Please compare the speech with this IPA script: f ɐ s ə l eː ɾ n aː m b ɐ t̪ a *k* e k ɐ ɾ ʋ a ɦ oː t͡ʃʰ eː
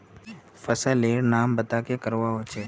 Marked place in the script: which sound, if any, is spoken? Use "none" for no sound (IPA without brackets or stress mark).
k